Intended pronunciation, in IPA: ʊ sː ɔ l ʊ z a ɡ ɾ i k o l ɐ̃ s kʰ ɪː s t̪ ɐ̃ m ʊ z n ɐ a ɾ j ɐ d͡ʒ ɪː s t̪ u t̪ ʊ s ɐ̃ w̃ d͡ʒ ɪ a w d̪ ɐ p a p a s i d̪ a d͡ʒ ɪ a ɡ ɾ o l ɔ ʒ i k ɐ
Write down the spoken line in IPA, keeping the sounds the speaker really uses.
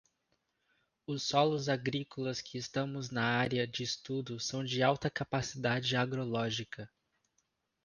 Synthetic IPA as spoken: ʊ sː ɔ l ʊ z a ɡ ɾ i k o l ɐ s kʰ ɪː s t̪ ɐ̃ m ʊ z n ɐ a ɾ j ɐ d͡ʒ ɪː s t̪ u d̪ ʊ s ɐ̃ w̃ d͡ʒ ɪ a w t̪ ɐ k a p a s i d̪ a d͡ʒ ɪ a ɡ ɾ o l ɔ ʒ i k ɐ

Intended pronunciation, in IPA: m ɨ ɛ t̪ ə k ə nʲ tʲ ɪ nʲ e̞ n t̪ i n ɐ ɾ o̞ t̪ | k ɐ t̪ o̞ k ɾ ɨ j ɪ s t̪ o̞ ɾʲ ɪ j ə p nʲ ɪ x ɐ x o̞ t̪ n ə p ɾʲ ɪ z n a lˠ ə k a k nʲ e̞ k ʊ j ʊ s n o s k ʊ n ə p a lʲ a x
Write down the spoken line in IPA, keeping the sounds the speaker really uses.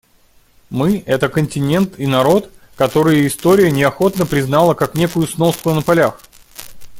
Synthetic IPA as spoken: m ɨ ɛ t̪ ə k ə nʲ tʲ ɪ nʲ e̞ n t̪ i n ɐ ɾ o̞ t̪ | k ɐ t̪ o̞ ɾ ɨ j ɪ s t̪ o̞ ɾʲ ɪ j ə nʲ ɪ ɐ x o̞ t̪ n ə p ɾʲ ɪ z n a lˠ ə k a k nʲ e̞ k ʊ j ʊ s n o s k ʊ n ə p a lʲ a x

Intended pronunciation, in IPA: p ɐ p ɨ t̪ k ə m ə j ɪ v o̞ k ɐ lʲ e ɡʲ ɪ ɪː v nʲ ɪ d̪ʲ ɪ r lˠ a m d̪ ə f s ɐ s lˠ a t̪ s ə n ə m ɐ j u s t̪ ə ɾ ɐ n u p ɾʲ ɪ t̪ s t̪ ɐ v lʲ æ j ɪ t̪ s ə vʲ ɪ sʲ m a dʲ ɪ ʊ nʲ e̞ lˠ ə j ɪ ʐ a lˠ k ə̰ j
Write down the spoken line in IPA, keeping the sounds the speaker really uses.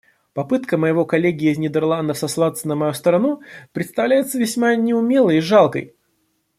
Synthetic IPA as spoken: p ɐ p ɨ t̪ k ə m ə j ɪ v o̞ k ɐ lʲ e ɡʲ ɪ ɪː z nʲ ɪ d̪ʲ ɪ r lˠ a n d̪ ə f s ɐ s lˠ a t̪ s ə n ə m ɐ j u s t̪ ə ɾ ɐ n u p ɾʲ ɪ t̪ s t̪ ɐ v lʲ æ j ɪ t̪ s ə vʲ ɪ sʲ m a nʲ ɪ ʊ mʲ e̞ lˠ ə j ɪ ʐ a lˠ k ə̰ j

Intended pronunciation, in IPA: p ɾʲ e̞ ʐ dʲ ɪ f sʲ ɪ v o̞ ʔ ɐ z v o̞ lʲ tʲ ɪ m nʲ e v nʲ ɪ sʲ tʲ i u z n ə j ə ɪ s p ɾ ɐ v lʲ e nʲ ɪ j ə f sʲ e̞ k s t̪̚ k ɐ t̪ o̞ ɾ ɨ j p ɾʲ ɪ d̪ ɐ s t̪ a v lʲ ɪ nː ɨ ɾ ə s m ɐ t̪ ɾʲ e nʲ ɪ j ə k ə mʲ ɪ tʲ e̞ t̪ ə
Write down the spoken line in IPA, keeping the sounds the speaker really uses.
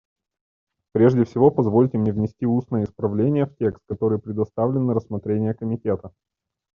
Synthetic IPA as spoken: p ɾʲ e̞ ʐ dʲ ɪ f sʲ ɪ v o̞ p ɐ z v o̞ lʲ tʲ ɪ m nʲ e v nʲ ɪ sʲ tʲ i u s n ə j ə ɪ s p ɾ ɐ v lʲ e nʲ ɪ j ə f tʲ e̞ k s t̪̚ k ɐ t̪ o̞ ɾ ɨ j p ɾʲ ɪ d̪ ɐ s t̪ a v lʲ ɪ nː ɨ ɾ ə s m ɐ t̪ ɾʲ e nʲ ɪ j ə k ə mʲ ɪ tʲ e̞ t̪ ə

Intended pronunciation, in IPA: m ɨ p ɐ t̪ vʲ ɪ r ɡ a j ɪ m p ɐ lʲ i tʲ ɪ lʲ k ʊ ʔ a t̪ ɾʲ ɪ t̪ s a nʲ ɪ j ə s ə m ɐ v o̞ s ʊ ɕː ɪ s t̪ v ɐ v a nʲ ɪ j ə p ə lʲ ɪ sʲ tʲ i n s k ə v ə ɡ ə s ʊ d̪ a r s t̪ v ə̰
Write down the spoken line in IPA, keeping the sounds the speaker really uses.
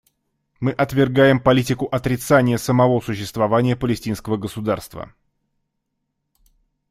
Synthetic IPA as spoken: m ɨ ʔ ɐ t̪ vʲ ɪ r ɡ a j ɪ m p ɐ lʲ i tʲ ɪ k ʊ ʔ ɐ t̪ ɾʲ ɪ t̪ s a nʲ ɪ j ə s ə m ɐ v o̞ s ʊ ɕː ɪ s t̪ v ɐ v a nʲ ɪ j ə p ə lʲ ɪ sʲ tʲ i n s k ə v ə ɡ ə s ʊ d̪ a r s t̪ v ə̰

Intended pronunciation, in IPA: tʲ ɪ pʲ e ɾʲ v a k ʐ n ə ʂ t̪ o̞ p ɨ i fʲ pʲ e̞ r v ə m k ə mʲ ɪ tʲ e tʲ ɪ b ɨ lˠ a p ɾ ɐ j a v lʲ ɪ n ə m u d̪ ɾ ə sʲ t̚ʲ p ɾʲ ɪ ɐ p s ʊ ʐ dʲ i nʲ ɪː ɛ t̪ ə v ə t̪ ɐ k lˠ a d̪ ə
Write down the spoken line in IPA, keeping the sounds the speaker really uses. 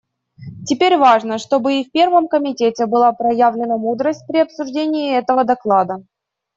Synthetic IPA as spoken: tʲ ɪ pʲ e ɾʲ v a ʐ n ə ʂ t̪ o̞ b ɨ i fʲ pʲ e̞ r v ə m k ə mʲ ɪ tʲ e tʲ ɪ b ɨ lˠ a p ɾ ɐ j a v lʲ ɪ n ə m u d̪ ɾ ə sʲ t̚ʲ p ɾʲ ɪ ɐ p s ʊ ʐ dʲ e nʲ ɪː ɛ t̪ ə v ə d̪ ɐ k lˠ a d̪ ə

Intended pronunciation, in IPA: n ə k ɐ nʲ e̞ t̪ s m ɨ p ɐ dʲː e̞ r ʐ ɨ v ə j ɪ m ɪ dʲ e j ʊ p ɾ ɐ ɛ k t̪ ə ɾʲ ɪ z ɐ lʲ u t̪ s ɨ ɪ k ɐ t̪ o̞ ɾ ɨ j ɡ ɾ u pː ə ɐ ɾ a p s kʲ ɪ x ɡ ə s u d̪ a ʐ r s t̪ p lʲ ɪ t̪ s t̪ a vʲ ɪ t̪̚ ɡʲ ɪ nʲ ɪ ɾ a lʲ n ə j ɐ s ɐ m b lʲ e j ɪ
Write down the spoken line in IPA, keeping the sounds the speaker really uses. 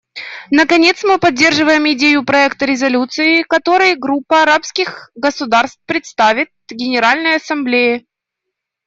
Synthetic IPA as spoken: n ə k ɐ nʲ e̞ t̪ s m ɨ p ɐ dʲː e̞ r ʐ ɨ v ə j ɪ m ɪ dʲ e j ʊ p ɾ ɐ ɛ k t̪ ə ɾʲ ɪ z ɐ lʲ u t̪ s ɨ ɪ k ɐ t̪ o̞ ɾ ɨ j ɡ ɾ u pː ə ɐ ɾ a p s kʲ ɪ x ɡ ə s ʊ d̪ a r s t̪ p ɾʲ ɪ t̪ s t̪ a vʲ ɪ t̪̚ ɡʲ ɪ nʲ ɪ ɾ a lʲ n ə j ɐ s ɐ m b lʲ e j ɪ

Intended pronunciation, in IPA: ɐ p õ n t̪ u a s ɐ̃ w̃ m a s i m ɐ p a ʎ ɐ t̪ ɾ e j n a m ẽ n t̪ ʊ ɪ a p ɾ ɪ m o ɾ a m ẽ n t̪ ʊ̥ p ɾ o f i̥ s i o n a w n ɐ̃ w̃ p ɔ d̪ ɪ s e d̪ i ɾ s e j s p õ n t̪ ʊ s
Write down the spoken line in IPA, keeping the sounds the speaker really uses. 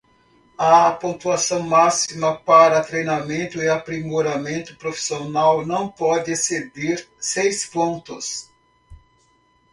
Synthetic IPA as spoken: ɐ p õ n t̪ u a s ɐ̃ w̃ m a s i m ɐ p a ɾ ɐ t̪ ɾ e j n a m ẽ n t̪ ʊ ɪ a p ɾ i m o ɾ a m ẽ n t̪ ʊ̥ p ɾ o f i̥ s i o n a w n ɐ̃ w̃ p ɔ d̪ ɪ s e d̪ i ɾ s e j s p õ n t̪ ʊ s

